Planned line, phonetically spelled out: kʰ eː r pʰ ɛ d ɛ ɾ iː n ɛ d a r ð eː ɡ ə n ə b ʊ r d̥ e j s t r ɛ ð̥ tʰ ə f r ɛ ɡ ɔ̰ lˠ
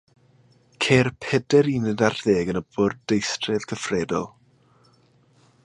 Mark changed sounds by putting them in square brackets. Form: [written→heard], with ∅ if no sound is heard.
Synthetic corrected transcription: kʰ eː r pʰ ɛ d ɛ ɾ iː n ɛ d a r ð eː ɡ ə n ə b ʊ r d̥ e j s t r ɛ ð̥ [tʰ→kʰ] ə f r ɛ [ɡ→d] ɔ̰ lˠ